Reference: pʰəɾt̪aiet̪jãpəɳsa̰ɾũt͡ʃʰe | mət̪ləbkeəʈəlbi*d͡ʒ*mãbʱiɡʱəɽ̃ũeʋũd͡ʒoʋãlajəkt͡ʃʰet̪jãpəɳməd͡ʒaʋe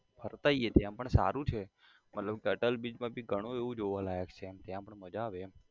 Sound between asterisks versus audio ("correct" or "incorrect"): correct